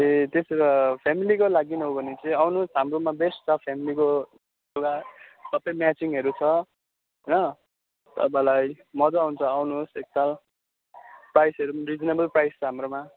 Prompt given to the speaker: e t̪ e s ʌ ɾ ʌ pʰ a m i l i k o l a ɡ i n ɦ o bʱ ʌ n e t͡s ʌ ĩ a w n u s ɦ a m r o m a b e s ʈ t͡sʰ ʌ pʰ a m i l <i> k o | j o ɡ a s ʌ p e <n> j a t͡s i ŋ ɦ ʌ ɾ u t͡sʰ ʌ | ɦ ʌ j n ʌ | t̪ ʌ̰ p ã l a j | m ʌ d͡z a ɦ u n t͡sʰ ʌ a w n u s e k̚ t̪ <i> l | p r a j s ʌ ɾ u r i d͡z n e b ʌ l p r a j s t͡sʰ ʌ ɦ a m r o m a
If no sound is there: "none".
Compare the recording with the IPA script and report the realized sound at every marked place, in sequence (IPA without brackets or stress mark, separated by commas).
i, m, a